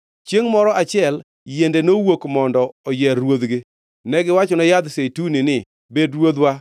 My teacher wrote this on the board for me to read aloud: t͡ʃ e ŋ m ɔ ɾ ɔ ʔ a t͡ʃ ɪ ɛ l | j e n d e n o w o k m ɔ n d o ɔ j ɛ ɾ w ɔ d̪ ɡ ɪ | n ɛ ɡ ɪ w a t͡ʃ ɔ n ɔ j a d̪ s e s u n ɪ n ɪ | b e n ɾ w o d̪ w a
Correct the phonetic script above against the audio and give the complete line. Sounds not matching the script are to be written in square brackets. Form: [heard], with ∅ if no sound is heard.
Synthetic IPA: t͡ʃ e ŋ m ɔ ɾ ɔ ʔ a t͡ʃ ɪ ɛ l | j e n d e n o w o k m ɔ n d [ɔ] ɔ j ɛ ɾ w [o] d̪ ɡ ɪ | n ɛ ɡ ɪ w a t͡ʃ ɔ n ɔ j a d̪ s e [t] u n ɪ n ɪ | b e [d] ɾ w o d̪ w a